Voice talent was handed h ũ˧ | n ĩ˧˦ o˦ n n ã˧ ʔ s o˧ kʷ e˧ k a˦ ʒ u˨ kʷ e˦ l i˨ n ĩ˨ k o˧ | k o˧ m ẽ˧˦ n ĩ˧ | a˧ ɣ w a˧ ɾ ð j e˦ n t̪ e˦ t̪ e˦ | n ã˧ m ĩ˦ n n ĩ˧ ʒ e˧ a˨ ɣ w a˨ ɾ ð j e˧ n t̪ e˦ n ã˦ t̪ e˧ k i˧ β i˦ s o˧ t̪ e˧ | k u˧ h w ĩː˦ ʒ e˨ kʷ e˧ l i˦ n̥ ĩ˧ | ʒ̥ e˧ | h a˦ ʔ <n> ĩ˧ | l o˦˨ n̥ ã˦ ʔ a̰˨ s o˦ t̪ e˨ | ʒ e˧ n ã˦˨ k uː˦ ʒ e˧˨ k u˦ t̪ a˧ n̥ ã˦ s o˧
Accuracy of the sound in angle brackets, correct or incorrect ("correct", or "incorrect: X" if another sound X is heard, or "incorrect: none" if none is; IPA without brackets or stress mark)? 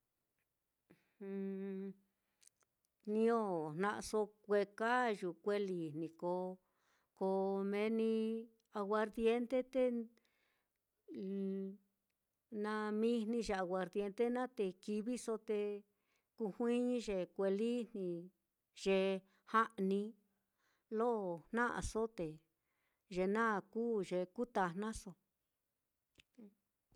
correct